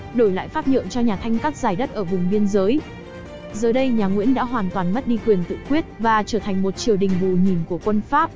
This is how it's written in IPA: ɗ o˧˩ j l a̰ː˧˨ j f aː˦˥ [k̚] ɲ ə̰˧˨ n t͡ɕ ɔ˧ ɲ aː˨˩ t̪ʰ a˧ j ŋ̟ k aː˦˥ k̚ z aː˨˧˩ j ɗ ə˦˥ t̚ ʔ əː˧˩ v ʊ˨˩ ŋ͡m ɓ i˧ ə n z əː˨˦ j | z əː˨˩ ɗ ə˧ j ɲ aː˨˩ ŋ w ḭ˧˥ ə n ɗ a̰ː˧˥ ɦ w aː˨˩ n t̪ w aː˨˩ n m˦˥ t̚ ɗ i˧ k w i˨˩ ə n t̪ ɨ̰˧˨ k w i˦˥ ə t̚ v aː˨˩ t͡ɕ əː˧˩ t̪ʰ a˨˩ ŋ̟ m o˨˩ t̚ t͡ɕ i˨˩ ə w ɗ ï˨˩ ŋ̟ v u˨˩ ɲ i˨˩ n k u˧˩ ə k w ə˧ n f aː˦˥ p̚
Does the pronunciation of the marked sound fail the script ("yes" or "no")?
yes